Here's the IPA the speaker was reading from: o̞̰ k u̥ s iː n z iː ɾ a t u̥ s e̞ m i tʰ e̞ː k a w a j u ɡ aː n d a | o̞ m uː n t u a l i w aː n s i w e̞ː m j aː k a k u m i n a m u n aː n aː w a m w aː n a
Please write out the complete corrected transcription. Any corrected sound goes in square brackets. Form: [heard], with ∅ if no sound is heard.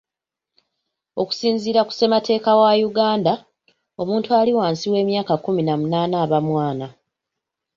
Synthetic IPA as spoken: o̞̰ k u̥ s iː n z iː ɾ a [k] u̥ s e̞ m [a] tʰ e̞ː k a w a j u ɡ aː n d a | o̞ m uː n t u a l i w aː n s i w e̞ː m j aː k a k u m i n a m u n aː n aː [β] a m w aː n a